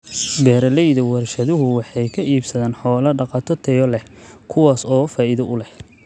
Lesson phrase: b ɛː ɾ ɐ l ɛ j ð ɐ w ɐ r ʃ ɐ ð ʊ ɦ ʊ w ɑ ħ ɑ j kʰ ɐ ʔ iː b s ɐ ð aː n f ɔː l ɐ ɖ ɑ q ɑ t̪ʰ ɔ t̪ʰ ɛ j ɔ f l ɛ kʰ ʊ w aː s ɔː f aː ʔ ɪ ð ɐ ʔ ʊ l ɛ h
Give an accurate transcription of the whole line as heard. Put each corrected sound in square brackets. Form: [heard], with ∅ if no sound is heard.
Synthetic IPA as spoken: b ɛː ɾ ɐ l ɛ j ð ɐ w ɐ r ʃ ɐ ð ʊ ɦ ʊ w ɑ ħ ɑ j kʰ ɐ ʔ iː b s ɐ ð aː n [ħ] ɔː l ɐ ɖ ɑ q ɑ t̪ʰ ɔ t̪ʰ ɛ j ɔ [∅] l ɛ kʰ ʊ w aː s ɔː f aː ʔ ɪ ð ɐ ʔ ʊ l ɛ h